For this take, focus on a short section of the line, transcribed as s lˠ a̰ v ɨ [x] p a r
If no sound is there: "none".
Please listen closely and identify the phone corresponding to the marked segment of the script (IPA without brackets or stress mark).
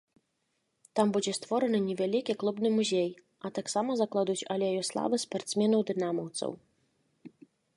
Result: s